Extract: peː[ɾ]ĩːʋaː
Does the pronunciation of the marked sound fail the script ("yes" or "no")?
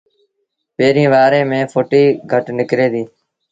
no